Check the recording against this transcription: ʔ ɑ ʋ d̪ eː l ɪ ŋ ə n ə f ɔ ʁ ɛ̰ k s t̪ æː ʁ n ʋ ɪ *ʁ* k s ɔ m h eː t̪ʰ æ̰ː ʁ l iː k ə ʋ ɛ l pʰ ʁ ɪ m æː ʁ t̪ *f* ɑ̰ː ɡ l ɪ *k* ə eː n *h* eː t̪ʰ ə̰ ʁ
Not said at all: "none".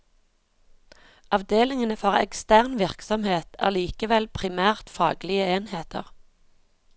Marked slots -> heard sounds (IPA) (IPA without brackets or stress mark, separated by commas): ʁ, f, none, h